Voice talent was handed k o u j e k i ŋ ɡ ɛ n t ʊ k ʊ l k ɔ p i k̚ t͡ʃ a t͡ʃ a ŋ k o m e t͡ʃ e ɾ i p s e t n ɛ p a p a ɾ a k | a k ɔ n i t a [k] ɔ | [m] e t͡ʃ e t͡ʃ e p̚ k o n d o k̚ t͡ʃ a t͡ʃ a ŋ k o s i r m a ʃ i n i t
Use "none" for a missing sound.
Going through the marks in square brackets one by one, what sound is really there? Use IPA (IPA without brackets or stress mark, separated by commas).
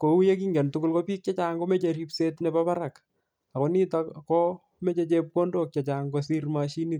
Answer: k, m